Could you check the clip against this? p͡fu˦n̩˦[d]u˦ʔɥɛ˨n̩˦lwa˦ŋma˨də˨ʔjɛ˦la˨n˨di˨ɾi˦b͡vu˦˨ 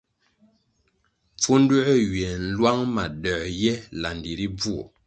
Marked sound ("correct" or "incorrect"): correct